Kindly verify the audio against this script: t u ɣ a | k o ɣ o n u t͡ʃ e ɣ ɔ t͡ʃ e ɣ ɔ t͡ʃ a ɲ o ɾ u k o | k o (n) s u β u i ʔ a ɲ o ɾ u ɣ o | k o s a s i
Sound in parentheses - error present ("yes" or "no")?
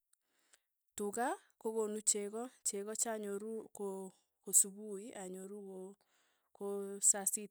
yes